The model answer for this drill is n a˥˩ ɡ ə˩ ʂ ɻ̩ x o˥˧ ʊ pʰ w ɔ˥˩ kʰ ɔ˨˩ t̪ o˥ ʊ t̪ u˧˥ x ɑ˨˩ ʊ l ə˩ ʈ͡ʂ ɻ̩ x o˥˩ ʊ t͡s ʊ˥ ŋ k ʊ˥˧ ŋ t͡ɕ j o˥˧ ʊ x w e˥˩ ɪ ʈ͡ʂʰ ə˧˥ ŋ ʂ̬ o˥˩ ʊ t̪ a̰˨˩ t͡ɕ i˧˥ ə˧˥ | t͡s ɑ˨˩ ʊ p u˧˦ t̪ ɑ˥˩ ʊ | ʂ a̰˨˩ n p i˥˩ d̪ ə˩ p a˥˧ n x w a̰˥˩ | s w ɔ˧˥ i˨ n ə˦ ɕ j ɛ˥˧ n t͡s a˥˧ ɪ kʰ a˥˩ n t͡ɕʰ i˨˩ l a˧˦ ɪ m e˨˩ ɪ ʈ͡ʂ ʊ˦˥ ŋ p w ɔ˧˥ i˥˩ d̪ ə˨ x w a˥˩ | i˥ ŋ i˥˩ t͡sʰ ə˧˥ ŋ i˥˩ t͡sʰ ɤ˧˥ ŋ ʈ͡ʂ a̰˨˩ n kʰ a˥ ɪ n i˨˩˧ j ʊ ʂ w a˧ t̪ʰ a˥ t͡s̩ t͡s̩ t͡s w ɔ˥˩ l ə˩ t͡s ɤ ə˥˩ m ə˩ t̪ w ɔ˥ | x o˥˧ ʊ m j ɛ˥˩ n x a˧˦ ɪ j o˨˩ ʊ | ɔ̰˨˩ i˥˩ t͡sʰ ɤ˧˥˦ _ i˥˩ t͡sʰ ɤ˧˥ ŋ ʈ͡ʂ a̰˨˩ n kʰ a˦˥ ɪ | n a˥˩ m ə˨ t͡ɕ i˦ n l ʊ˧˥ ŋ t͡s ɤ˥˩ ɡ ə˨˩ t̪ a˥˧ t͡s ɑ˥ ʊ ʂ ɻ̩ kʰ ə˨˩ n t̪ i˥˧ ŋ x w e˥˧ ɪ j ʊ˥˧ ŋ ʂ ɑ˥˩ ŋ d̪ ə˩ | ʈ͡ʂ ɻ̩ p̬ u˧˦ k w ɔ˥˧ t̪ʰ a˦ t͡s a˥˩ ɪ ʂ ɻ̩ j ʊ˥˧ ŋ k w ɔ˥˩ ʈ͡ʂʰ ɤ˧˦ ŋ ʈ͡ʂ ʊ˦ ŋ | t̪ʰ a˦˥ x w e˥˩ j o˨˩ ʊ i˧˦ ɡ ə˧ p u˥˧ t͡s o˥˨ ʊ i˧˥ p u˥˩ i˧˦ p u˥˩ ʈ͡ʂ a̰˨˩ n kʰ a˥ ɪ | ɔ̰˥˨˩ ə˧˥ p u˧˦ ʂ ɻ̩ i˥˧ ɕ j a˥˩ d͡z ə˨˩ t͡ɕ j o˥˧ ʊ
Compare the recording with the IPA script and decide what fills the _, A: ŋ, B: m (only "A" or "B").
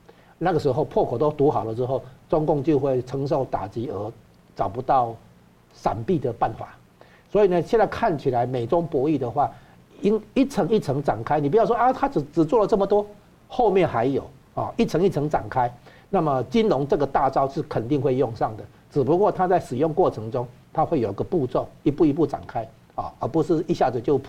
A